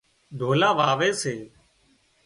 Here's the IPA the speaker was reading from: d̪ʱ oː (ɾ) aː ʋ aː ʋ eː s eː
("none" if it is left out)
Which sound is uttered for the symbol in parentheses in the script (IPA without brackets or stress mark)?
l